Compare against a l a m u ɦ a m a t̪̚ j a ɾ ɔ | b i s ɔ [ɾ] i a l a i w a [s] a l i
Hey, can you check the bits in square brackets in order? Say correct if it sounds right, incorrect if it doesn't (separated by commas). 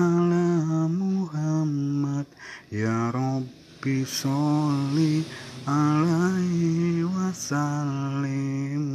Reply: incorrect, correct